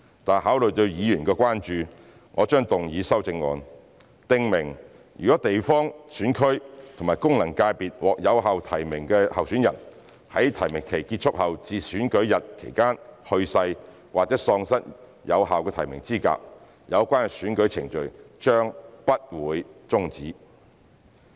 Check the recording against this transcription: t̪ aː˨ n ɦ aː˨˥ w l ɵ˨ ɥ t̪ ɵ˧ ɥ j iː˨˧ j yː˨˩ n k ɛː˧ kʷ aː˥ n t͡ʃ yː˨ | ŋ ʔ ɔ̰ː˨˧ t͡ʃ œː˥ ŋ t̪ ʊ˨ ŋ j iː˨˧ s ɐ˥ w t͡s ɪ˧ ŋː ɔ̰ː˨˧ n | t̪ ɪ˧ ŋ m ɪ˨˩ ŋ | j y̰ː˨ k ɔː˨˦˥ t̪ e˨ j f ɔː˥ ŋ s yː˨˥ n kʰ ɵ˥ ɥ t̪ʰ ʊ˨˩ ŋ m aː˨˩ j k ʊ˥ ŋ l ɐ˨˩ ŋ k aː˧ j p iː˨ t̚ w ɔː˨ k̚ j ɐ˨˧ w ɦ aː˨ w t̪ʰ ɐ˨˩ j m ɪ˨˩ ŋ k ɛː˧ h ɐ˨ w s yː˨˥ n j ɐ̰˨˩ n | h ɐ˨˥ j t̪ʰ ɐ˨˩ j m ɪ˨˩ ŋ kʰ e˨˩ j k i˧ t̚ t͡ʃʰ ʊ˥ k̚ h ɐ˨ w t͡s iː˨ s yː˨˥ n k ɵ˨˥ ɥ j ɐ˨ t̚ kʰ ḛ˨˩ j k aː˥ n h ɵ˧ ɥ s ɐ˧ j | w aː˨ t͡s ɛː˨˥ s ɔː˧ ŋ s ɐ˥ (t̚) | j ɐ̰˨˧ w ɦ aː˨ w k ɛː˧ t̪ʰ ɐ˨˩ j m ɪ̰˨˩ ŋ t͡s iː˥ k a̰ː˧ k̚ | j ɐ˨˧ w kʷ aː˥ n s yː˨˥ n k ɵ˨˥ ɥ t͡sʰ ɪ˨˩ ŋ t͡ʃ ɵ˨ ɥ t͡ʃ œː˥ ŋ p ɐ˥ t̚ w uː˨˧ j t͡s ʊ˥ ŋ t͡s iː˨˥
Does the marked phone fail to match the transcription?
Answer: no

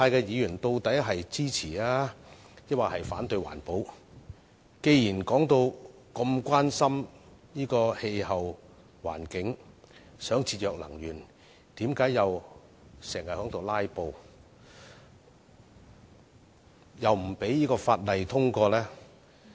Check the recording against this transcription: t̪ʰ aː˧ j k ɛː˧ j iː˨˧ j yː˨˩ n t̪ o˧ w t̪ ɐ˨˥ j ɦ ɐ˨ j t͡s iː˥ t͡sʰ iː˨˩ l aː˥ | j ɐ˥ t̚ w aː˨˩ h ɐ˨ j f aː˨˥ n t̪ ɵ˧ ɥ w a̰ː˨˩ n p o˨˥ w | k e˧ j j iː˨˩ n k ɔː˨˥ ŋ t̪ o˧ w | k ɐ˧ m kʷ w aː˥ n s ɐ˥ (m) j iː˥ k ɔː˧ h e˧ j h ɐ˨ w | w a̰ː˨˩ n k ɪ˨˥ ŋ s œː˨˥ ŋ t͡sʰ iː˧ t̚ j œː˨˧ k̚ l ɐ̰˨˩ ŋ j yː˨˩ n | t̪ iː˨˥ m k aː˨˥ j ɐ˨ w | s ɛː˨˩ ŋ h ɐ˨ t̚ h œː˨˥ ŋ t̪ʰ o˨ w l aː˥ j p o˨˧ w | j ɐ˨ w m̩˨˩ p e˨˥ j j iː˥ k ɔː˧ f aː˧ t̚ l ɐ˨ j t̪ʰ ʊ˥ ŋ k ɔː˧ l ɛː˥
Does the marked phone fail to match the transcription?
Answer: no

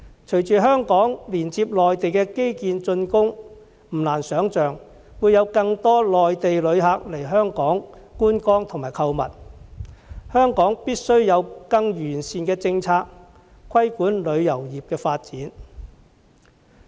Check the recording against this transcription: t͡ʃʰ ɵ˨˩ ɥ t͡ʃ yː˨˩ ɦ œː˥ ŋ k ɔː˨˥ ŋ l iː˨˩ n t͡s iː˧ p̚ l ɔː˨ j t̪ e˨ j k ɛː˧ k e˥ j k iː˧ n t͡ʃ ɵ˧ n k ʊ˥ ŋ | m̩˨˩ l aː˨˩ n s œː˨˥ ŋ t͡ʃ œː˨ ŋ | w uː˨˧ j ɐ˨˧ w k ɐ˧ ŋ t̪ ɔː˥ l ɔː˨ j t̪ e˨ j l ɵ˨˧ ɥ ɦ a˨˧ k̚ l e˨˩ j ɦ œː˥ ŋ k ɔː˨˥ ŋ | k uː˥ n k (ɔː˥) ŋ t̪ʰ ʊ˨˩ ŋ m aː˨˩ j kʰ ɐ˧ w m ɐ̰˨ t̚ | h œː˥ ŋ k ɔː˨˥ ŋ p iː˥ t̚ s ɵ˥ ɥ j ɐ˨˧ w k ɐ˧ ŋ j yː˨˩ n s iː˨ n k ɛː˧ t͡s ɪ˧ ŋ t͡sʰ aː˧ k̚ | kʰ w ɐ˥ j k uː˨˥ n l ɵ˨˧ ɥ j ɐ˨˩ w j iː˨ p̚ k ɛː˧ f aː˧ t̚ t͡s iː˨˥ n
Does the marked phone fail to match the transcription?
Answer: no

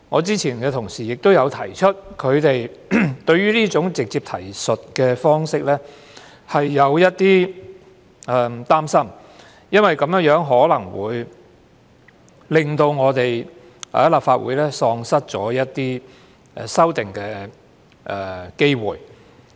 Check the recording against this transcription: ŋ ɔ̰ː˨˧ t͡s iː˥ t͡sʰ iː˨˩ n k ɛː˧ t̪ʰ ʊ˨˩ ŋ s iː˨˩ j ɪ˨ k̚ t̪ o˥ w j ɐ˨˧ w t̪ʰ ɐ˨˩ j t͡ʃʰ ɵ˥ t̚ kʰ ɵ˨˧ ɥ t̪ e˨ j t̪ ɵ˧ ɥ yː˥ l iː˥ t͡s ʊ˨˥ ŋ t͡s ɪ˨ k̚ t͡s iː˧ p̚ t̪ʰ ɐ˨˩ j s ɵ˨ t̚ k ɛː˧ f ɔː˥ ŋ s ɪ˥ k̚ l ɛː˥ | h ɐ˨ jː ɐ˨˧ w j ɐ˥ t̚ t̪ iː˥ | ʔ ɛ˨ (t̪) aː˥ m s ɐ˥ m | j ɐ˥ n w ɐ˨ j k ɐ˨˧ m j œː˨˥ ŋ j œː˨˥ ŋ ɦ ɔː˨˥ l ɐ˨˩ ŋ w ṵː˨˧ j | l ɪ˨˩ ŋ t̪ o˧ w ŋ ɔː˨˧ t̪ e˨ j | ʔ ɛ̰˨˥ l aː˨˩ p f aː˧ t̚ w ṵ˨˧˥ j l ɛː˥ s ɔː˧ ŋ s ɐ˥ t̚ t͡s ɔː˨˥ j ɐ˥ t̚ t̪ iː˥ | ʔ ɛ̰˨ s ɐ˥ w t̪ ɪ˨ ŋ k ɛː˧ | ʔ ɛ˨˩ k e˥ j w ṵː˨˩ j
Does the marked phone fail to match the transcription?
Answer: no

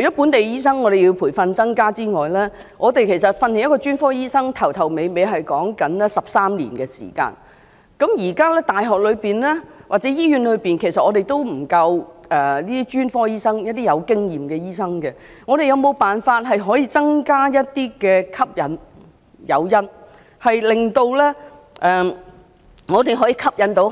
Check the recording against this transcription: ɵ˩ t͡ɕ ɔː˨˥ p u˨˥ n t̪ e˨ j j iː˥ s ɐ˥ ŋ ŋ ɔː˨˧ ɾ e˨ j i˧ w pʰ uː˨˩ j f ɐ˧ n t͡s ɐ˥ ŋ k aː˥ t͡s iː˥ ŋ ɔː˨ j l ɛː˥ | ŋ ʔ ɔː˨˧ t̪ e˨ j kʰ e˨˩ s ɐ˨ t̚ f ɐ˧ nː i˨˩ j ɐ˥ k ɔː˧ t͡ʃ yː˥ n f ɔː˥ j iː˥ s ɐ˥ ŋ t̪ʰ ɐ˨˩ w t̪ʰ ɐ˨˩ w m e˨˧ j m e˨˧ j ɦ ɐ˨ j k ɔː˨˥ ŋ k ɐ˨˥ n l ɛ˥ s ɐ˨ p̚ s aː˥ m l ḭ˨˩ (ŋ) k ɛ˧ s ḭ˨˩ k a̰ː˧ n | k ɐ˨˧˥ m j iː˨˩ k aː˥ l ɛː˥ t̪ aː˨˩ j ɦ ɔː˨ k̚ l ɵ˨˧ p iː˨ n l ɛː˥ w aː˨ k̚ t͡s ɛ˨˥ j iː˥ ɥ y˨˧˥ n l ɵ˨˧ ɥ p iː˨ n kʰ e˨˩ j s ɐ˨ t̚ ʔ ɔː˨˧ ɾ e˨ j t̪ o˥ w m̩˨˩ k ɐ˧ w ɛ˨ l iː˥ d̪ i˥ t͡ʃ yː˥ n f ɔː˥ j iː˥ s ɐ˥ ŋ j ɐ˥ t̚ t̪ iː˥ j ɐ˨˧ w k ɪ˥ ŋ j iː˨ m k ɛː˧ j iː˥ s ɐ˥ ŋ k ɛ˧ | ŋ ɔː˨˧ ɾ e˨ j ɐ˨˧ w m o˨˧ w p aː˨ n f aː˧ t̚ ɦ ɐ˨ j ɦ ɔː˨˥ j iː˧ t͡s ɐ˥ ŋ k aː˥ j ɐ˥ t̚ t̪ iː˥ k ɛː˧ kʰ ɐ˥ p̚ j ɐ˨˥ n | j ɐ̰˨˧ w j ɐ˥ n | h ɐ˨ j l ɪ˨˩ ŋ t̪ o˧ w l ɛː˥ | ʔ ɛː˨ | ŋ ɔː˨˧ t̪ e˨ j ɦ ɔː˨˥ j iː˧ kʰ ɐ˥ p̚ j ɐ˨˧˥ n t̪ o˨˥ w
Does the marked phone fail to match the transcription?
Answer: yes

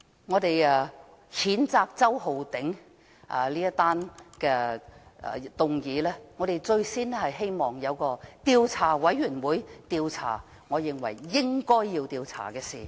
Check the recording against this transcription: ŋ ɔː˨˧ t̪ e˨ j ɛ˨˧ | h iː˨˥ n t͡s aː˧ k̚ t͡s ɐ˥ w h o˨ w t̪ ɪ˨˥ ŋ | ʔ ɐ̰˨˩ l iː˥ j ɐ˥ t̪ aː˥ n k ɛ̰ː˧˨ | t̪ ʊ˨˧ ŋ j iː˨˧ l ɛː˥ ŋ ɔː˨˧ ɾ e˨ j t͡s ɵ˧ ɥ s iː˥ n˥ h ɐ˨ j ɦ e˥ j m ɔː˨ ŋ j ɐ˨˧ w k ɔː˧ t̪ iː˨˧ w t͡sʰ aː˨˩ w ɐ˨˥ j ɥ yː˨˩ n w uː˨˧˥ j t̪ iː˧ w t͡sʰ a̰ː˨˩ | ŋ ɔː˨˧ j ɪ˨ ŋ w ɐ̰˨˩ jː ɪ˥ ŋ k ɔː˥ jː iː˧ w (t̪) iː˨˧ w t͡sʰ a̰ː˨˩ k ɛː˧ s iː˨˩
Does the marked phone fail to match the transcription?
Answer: no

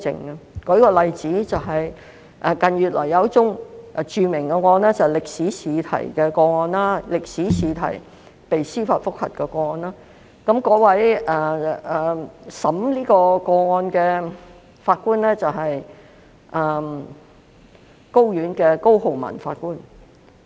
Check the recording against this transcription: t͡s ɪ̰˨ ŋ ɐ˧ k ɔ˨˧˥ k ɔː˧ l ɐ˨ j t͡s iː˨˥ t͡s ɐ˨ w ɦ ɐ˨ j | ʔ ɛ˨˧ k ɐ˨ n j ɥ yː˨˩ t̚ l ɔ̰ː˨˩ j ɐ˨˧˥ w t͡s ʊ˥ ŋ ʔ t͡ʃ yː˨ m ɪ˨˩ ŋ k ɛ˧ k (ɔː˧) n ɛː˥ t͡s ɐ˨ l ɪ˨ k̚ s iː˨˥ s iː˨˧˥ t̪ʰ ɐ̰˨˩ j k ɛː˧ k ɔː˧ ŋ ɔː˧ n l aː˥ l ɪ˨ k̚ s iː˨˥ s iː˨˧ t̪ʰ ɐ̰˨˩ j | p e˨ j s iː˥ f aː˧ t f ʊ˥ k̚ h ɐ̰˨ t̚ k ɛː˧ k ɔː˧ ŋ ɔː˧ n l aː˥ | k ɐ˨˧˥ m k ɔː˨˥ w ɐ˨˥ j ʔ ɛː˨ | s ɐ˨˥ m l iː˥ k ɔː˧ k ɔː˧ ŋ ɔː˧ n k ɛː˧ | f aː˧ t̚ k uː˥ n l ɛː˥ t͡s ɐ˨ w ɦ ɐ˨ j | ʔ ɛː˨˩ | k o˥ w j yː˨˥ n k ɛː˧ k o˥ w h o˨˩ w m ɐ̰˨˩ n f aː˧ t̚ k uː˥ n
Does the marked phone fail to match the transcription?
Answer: no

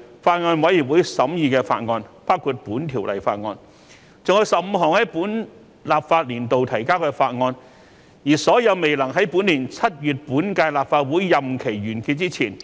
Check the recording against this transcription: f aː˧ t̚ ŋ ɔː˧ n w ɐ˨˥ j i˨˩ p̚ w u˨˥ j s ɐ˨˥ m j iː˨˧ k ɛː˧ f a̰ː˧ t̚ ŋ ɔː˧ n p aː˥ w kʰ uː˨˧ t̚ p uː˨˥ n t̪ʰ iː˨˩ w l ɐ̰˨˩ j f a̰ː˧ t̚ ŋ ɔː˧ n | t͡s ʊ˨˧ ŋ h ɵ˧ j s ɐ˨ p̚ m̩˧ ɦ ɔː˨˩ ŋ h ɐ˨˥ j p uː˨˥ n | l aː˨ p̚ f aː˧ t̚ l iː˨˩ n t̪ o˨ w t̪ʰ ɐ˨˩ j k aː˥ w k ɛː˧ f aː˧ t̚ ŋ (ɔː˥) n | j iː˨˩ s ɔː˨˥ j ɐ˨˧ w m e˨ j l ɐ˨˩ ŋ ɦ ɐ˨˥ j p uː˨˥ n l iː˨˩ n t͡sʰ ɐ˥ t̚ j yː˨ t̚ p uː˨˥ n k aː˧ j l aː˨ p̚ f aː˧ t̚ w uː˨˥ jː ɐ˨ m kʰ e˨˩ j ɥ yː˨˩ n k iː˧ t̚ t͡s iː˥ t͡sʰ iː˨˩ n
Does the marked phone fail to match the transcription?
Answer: yes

